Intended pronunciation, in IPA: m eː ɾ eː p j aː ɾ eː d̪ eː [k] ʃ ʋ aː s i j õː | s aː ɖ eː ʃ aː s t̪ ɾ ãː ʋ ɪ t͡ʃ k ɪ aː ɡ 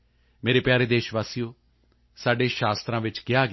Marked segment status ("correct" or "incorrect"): incorrect